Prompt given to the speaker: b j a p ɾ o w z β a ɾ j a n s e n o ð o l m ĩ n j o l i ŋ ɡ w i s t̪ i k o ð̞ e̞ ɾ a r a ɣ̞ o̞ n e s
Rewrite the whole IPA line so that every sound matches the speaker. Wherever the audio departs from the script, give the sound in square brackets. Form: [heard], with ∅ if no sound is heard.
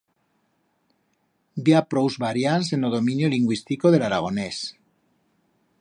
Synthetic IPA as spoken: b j a p ɾ o w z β a ɾ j a n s e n o ð o [∅] m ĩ n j o l i ŋ ɡ w i s t̪ i k o ð̞ e̞ [l] a [ɾ] a ɣ̞ o̞ n e s